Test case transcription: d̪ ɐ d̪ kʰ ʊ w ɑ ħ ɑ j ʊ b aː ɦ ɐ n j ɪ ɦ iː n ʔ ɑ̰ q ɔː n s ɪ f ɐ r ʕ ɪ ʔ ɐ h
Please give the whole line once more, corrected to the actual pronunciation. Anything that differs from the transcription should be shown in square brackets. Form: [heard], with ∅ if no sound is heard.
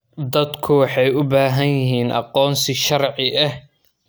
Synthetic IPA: d̪ ɐ d̪ kʰ ʊ w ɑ ħ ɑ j ʊ b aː ɦ ɐ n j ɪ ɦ iː n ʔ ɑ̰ q ɔː n s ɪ [ʃ] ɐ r ʕ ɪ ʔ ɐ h

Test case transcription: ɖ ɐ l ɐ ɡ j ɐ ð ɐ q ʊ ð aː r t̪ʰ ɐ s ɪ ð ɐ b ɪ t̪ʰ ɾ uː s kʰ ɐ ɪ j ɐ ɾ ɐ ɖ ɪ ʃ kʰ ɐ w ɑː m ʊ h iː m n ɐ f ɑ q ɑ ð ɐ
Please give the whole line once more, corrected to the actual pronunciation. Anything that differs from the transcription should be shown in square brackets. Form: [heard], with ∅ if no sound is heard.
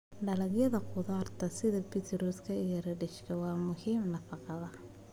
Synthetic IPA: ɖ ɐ l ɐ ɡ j ɐ ð ɐ q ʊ ð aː r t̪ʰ ɐ s ɪ ð ɐ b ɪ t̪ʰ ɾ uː s kʰ ɐ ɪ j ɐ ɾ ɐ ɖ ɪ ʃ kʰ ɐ w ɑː m ʊ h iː m n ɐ f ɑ q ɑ ð ɐ

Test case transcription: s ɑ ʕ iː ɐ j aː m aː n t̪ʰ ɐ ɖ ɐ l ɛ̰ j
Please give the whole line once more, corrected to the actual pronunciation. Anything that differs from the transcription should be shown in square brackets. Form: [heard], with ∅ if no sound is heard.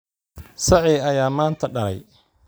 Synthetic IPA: s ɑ ʕ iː ɐ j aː m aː n t̪ʰ ɐ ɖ ɐ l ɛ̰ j

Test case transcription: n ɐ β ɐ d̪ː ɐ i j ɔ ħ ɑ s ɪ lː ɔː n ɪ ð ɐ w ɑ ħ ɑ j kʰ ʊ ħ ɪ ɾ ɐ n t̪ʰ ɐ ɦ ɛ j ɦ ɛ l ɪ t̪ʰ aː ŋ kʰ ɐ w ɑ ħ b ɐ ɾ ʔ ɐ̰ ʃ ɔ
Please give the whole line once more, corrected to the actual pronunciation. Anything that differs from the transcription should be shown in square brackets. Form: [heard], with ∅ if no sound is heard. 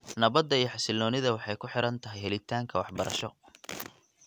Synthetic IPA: n ɐ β ɐ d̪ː ɐ i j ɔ ħ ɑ s ɪ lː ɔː n ɪ ð ɐ w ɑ ħ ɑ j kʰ ʊ ħ ɪ ɾ ɐ n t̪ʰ ɐ ɦ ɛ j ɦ ɛ l ɪ t̪ʰ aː ŋ kʰ ɐ w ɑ ħ b ɐ ɾ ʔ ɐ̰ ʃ ɔ

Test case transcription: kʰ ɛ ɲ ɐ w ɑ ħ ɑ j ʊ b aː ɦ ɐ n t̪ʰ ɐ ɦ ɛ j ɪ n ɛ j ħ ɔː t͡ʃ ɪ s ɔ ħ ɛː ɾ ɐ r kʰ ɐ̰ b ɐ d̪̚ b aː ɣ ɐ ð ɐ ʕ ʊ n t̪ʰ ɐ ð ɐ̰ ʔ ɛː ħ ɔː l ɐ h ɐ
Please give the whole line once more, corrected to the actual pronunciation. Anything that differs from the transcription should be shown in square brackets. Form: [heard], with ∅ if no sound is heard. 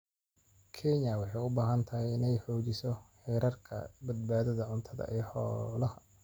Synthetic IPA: kʰ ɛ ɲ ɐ w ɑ ħ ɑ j ʊ b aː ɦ ɐ n t̪ʰ ɐ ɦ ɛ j ɪ n ɛ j ħ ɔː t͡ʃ ɪ s ɔ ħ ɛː ɾ ɐ r kʰ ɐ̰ b ɐ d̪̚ b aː [ð] ɐ ð ɐ ʕ ʊ n t̪ʰ ɐ ð ɐ̰ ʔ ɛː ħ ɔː l ɐ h ɐ

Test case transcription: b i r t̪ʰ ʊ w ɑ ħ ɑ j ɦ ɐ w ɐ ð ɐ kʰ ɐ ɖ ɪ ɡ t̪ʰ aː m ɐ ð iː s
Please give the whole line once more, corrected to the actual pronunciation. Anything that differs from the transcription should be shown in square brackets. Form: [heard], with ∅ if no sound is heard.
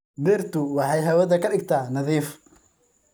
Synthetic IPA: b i r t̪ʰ ʊ w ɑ ħ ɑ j ɦ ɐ w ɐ ð ɐ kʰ ɐ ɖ ɪ ɡ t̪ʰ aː [n] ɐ ð iː [f]

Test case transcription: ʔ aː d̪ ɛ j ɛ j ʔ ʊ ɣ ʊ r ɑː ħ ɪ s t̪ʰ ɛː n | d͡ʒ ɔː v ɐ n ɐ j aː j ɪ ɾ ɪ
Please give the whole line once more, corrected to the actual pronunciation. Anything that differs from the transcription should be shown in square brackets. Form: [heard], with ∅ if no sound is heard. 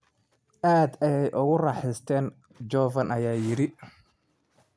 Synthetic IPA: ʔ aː d̪ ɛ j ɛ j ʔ ʊ ɣ ʊ r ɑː ħ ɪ s t̪ʰ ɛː n | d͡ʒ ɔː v ɐ n ɐ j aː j ɪ ɾ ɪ

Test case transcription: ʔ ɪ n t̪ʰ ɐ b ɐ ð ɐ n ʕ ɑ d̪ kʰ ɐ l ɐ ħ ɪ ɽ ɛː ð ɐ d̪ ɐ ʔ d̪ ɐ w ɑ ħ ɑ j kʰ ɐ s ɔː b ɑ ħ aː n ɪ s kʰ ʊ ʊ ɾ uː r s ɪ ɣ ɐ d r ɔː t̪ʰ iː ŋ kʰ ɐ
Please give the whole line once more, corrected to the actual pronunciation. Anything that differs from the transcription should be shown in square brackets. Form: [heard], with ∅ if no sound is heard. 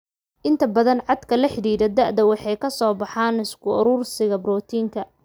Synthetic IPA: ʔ ɪ n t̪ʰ ɐ b ɐ ð ɐ n ʕ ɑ d̪ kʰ ɐ l ɐ ħ ɪ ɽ [iː] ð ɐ d̪ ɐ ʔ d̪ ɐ w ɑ ħ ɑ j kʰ ɐ s ɔː b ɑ ħ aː n ɪ s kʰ ʊ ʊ ɾ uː r s ɪ ɣ ɐ [b] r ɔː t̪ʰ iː ŋ kʰ ɐ

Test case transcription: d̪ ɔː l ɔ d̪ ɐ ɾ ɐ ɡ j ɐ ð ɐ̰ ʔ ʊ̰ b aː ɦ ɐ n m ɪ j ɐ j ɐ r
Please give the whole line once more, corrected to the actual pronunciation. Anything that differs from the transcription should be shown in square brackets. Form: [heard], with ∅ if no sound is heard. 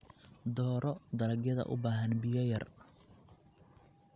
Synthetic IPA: d̪ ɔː [ɾ] ɔ d̪ ɐ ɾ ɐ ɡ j ɐ ð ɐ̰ ʔ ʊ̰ b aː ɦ ɐ n [b] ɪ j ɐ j ɐ r

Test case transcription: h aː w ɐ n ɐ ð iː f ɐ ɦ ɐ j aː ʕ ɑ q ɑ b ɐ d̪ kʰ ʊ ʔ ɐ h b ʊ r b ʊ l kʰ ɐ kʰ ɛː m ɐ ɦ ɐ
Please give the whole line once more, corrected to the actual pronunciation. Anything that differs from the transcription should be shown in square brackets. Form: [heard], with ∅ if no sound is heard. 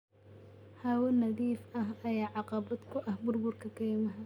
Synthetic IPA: h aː w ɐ n ɐ ð iː f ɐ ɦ ɐ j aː ʕ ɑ q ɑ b ɐ d̪ kʰ ʊ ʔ ɐ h b ʊ r b ʊ [r] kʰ ɐ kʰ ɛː m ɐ ɦ ɐ

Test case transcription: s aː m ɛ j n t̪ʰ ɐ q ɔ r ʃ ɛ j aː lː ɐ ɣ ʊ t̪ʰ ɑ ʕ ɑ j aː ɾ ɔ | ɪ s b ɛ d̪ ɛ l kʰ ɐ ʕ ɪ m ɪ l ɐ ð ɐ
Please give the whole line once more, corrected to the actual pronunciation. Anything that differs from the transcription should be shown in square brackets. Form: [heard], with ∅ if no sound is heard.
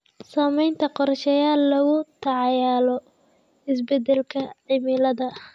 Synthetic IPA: s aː m ɛ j n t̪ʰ ɐ q ɔ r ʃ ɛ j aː lː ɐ ɣ ʊ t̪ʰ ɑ ʕ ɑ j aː [l] ɔ | ɪ s b ɛ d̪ ɛ l kʰ ɐ ʕ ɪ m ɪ l ɐ ð ɐ

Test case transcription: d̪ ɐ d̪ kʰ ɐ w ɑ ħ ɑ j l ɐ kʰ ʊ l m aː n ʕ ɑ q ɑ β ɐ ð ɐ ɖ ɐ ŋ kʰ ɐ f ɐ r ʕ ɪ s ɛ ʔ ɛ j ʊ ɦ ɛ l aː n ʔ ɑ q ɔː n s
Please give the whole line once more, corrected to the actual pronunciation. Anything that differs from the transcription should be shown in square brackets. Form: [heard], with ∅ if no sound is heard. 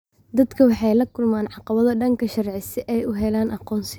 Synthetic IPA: d̪ ɐ d̪ kʰ ɐ w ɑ ħ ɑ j l ɐ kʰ ʊ l m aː n ʕ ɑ q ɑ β ɐ ð ɐ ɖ ɐ ŋ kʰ ɐ [ʃ] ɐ r ʕ ɪ s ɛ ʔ ɛ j ʊ ɦ ɛ l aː n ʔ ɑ q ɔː n s

